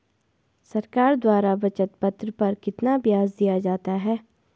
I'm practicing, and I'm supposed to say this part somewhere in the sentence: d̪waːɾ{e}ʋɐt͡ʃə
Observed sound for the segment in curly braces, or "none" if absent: a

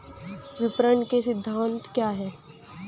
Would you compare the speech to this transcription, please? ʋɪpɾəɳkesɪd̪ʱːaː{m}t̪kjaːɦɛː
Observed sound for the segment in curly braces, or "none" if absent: n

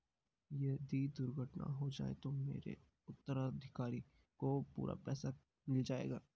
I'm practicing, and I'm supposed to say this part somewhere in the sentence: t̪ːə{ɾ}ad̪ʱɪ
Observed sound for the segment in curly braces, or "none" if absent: ɾ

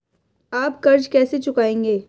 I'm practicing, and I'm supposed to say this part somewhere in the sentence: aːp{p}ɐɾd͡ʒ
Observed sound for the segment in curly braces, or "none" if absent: k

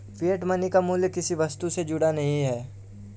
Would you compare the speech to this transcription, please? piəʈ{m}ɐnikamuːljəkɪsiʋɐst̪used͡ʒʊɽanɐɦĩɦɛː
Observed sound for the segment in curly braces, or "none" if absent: m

